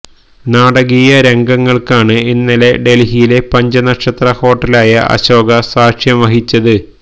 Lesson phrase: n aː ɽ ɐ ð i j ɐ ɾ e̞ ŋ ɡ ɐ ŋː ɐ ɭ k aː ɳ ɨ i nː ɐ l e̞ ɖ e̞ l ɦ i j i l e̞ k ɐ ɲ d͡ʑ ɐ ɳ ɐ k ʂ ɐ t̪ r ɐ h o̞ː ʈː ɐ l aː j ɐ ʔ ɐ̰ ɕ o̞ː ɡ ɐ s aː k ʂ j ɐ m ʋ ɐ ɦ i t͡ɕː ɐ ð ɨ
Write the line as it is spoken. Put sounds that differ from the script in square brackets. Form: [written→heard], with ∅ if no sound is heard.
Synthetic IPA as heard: n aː ɽ ɐ [ð→ɣ] i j ɐ ɾ e̞ ŋ ɡ ɐ ŋː ɐ ɭ k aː ɳ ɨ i nː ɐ l e̞ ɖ e̞ l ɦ i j i l e̞ [k→p] ɐ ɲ d͡ʑ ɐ [ɳ→n] ɐ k ʂ ɐ t̪ r ɐ h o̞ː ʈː ɐ l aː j ɐ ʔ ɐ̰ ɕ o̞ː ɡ ɐ s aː k ʂ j ɐ m ʋ ɐ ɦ i t͡ɕː ɐ ð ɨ